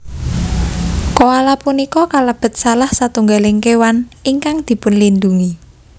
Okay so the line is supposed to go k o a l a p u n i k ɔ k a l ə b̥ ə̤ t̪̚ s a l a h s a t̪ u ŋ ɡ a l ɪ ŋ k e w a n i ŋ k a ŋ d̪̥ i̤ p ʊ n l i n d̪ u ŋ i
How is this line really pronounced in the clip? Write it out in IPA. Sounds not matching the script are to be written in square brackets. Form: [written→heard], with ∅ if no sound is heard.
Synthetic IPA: k o a l a p u n i k ɔ k a l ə b̥ ə̤ t̪̚ s a l a h s a t̪ u ŋ ɡ a l ɪ ŋ k e w a n i ŋ k a ŋ d̪̥ i̤ p ʊ n l i n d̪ u ŋ i